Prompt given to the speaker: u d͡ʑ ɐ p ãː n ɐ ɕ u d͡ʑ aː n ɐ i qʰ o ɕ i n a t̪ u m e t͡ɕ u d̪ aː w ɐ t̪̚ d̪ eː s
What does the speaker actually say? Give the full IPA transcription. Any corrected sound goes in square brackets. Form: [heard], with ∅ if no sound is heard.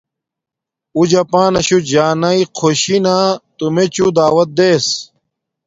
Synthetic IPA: u d͡ʑ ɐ p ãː n ɐ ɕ u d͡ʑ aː n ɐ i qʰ o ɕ i n a t̪ u m e t͡ɕ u d̪ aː w ɐ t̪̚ d̪ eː s